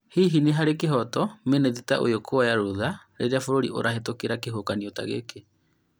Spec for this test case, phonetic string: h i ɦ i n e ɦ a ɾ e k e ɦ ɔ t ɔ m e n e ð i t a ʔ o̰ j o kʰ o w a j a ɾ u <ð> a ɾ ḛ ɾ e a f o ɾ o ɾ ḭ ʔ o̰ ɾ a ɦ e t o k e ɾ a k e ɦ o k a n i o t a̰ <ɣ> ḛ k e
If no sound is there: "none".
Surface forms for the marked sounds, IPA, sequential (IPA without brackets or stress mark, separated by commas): ð, ɣ